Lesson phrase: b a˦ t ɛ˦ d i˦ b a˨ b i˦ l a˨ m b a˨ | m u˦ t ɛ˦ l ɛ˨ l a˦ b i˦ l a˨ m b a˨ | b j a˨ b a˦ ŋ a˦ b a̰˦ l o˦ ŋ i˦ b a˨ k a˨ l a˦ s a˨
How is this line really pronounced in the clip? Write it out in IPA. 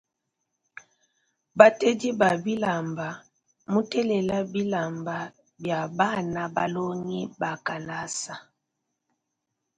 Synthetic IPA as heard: b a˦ t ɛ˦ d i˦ b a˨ b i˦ l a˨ m b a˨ | m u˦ t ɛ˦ l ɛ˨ l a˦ b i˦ l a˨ m b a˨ | b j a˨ b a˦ n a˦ b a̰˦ l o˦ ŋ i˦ b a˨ k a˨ l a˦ s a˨